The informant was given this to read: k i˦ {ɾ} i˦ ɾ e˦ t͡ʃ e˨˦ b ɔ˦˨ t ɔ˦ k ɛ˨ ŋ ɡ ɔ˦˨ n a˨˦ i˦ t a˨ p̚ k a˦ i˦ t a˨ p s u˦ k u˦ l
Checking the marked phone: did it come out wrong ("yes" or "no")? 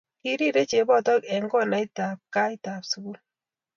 no